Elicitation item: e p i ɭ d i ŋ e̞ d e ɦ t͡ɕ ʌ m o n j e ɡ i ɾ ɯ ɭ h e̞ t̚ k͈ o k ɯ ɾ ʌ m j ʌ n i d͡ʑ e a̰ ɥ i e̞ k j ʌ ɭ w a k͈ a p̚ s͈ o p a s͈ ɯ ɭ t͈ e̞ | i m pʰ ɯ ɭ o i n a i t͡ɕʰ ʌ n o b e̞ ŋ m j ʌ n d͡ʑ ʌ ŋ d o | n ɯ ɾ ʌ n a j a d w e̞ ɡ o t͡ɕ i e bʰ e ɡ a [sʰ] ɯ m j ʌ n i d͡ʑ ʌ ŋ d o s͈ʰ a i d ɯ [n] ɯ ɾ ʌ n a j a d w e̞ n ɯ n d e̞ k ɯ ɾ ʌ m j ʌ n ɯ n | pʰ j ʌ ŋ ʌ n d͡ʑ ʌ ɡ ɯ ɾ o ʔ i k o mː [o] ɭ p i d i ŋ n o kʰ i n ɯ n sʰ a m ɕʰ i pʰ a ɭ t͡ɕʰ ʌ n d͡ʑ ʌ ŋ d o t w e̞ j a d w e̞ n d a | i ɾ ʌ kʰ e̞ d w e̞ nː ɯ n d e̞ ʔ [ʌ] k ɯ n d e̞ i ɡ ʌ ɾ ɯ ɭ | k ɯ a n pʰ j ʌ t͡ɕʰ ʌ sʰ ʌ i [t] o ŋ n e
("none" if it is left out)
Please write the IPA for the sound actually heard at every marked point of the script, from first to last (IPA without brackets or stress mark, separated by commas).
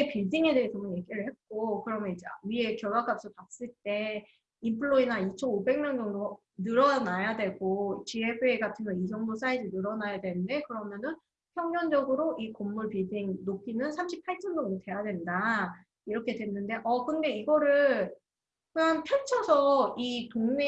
tʰ, n, u, ʌ, t